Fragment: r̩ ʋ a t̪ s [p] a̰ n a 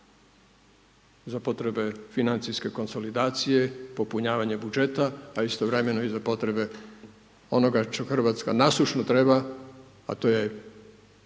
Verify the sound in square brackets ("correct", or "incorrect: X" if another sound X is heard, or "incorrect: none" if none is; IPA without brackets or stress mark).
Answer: incorrect: k